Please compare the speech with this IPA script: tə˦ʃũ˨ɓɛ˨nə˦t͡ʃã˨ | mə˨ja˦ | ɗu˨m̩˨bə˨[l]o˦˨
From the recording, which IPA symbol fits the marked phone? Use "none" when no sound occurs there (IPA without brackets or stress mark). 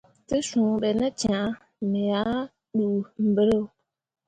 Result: ɾ